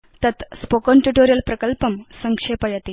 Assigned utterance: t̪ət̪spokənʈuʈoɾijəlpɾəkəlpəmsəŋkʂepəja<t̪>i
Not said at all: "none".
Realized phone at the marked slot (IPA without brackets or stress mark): t̪